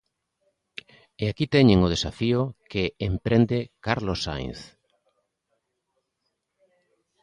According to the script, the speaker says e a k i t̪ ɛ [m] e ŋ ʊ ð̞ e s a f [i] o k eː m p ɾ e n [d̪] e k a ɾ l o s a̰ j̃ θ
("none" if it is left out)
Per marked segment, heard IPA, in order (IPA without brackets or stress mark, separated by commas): ɲ, i, d̪